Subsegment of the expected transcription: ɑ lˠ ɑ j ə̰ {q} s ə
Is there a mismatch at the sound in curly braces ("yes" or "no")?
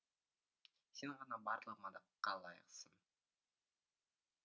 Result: no